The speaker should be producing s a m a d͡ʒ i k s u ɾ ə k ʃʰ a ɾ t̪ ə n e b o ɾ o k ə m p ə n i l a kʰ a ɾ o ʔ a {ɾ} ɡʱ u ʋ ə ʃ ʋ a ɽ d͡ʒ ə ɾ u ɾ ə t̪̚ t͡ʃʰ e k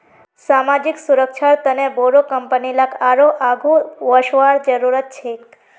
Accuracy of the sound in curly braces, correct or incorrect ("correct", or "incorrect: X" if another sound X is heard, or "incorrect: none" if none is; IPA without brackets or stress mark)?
incorrect: none